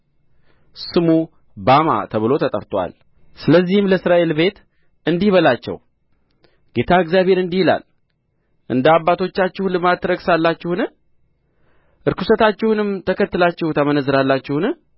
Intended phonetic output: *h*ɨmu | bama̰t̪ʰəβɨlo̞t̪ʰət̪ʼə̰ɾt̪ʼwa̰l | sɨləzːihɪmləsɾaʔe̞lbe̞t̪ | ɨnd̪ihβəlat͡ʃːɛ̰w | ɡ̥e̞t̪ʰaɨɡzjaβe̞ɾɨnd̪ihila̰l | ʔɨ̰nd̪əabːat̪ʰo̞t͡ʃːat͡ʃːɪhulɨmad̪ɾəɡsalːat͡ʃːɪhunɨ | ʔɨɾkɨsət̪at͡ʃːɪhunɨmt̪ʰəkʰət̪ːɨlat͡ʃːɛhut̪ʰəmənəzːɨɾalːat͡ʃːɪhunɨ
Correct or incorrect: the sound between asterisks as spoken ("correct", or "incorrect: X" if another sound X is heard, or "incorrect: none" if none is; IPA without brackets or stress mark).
incorrect: s